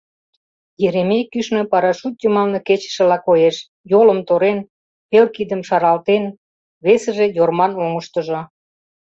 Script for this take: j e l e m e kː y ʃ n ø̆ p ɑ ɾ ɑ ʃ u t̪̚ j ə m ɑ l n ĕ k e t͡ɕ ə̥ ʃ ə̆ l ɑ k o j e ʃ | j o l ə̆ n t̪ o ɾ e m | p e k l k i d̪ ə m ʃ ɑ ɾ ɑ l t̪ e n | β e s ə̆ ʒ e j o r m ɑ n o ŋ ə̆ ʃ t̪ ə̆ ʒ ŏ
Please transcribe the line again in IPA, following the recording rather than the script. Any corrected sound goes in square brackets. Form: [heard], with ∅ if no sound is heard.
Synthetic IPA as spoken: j e [ɾ] e m e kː y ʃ n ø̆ p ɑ ɾ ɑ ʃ u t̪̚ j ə m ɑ l n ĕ k e t͡ɕ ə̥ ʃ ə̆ l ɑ k o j e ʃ | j o l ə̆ [m] t̪ o ɾ e [n] | p e [∅] l k i d̪ ə m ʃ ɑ ɾ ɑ l t̪ e n | β e s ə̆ ʒ e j o r m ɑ n o ŋ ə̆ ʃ t̪ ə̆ ʒ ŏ